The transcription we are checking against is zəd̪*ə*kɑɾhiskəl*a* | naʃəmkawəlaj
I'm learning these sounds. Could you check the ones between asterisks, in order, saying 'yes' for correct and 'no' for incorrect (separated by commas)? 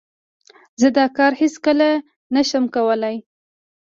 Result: no, yes